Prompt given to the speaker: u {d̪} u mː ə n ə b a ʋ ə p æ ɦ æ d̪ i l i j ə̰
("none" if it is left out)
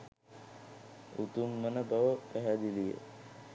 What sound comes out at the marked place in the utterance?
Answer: t̪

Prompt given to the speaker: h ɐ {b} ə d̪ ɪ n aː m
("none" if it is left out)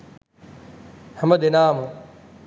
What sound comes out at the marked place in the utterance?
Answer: m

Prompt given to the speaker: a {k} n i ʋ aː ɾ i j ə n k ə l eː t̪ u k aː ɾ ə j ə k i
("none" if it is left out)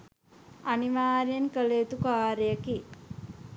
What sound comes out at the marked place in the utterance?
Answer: none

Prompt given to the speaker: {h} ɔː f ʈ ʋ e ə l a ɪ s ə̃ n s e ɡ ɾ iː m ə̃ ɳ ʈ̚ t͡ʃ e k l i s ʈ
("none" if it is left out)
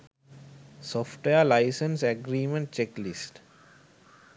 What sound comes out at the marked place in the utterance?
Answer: s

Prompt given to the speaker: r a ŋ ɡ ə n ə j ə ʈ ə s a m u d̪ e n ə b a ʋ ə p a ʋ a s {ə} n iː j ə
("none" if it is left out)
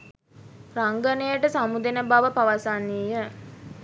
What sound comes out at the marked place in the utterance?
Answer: a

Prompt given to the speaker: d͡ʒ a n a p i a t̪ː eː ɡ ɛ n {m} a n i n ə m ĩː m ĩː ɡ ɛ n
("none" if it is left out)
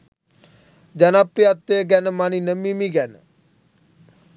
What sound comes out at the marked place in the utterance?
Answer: m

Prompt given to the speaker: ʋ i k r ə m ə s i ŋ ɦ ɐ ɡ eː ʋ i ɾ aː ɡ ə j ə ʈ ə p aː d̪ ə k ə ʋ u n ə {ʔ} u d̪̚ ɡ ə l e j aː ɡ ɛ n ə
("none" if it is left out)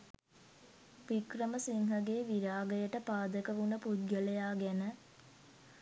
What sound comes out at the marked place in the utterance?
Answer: p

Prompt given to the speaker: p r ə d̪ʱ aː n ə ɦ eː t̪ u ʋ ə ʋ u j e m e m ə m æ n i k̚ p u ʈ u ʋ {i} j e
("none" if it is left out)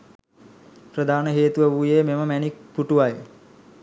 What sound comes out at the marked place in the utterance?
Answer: a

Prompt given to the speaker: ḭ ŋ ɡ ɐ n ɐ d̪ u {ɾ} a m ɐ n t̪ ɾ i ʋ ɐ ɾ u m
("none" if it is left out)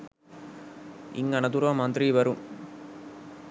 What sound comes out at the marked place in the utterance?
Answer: ɾ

